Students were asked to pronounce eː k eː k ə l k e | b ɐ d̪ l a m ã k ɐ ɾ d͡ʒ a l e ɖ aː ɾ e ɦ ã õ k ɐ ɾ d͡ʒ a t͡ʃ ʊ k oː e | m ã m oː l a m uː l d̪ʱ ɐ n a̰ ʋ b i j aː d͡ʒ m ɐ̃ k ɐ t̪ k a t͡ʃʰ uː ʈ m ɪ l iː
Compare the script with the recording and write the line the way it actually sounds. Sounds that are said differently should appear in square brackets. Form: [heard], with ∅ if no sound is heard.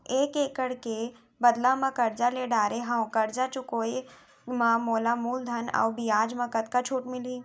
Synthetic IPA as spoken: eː k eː k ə [ɽ] k e | b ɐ d̪ l a m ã k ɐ ɾ d͡ʒ a l e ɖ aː ɾ e ɦ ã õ k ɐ ɾ d͡ʒ a t͡ʃ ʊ k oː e | m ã m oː l a m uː l d̪ʱ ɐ n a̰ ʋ b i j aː d͡ʒ m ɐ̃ k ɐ t̪ k a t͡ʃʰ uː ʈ m ɪ l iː